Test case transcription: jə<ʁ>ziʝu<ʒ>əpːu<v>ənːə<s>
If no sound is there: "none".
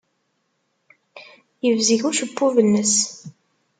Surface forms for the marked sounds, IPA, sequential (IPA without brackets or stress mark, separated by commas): v, ʃ, v, s